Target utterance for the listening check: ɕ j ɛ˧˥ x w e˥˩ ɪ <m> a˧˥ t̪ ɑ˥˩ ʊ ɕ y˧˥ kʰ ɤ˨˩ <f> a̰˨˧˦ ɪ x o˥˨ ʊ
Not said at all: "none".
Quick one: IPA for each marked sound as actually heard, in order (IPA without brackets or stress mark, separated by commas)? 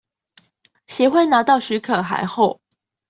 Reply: n, x